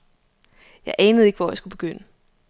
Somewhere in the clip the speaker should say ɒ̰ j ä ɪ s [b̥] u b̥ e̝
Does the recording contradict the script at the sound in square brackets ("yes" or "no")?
yes